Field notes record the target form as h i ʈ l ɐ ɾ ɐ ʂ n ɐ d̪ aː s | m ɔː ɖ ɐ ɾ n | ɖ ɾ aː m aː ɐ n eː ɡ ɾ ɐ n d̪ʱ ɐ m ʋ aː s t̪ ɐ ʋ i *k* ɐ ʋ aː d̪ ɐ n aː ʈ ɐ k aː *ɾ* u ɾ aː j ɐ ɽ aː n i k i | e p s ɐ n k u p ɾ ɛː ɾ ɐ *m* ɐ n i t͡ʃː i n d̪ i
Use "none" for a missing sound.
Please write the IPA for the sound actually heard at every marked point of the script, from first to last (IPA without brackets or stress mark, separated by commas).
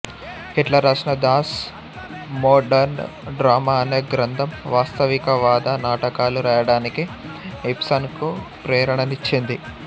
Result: k, l, ɳ